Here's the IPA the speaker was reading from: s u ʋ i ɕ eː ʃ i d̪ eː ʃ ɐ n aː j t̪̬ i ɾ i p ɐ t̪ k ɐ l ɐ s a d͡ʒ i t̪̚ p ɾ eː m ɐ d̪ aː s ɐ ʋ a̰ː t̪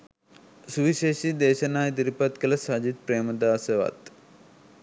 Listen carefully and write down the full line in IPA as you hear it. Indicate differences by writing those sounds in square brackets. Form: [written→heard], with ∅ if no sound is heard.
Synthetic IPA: s u ʋ i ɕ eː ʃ i d̪ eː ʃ ɐ n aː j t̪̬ i ɾ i p ɐ t̪ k ɐ l ɐ s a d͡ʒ i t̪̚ p ɾ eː m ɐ d̪ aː s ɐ ʋ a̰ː t̪